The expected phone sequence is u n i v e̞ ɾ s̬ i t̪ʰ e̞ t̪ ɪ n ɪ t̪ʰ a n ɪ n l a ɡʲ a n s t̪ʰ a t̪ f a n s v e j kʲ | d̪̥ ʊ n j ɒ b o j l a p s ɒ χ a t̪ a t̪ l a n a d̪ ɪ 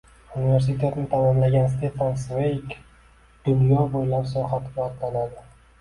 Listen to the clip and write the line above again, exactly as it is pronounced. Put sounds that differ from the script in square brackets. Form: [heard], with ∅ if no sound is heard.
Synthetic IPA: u n i v e̞ ɾ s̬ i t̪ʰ e̞ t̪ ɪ n ɪ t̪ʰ a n ɪ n l a ɡʲ a n s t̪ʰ [e] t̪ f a n s v e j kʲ | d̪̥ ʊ n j ɒ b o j l a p s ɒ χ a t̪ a t̪ l a n a d̪ ɪ